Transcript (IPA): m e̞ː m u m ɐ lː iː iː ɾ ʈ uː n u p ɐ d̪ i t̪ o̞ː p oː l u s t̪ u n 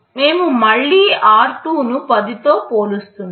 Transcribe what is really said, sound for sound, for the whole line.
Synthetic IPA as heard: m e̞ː m u m ɐ ɭː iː aː ɾ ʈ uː n u p ɐ d̪ i t̪ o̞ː p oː l u s t̪ u n